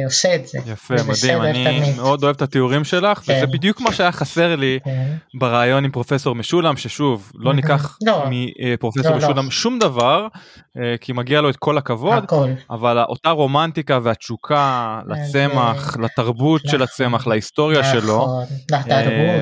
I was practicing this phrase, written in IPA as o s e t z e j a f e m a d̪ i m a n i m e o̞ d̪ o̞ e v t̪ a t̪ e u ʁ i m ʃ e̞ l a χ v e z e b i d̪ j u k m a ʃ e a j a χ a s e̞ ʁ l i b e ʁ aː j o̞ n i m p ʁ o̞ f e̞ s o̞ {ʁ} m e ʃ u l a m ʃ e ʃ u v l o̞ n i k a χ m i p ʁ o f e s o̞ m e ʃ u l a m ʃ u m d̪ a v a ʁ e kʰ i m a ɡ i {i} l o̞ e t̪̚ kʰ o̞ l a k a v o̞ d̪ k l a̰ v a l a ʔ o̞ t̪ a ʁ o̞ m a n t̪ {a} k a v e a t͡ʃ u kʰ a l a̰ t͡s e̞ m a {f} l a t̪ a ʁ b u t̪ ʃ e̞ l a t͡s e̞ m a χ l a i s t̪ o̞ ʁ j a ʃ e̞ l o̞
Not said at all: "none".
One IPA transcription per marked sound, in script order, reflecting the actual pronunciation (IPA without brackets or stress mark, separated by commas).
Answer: ʁ, a, i, χ